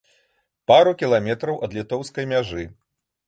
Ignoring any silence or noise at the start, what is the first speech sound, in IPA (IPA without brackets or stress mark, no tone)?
p